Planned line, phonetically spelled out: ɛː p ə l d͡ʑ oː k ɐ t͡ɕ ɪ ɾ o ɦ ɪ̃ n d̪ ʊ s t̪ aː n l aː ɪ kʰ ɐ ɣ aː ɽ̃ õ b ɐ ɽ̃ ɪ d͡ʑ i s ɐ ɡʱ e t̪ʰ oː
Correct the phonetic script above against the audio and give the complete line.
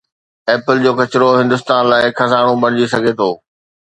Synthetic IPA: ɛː p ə l d͡ʑ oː k ɐ t͡ɕ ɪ ɾ o ɦ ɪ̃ n d̪ ʊ s t̪ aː n l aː ɪ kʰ ɐ z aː ɽ̃ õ b ɐ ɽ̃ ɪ d͡ʑ i s ɐ ɡʱ e t̪ʰ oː